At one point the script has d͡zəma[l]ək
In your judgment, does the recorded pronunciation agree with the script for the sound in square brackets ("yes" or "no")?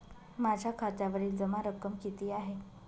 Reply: no